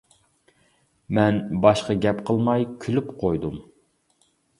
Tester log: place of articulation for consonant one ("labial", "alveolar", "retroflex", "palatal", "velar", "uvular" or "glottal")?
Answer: labial